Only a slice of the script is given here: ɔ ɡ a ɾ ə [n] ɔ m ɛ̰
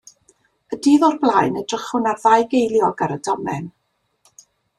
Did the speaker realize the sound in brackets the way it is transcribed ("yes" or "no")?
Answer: no